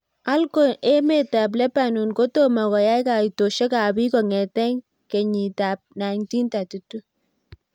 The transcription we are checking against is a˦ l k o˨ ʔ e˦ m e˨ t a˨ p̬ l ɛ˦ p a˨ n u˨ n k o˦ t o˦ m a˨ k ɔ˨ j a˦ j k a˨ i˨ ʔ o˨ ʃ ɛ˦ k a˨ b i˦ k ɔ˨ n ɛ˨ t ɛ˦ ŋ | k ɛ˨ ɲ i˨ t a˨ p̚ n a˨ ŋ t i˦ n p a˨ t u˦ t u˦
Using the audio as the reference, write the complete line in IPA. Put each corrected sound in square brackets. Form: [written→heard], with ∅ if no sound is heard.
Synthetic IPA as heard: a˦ l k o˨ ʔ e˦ m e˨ t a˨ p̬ l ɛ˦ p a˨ n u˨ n k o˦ t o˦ m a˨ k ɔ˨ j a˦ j k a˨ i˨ [ʔ→t] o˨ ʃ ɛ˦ k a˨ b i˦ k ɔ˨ [n→ŋ] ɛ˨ t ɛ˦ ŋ | k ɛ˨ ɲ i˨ t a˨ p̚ n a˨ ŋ t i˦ n [p→t] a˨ t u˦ t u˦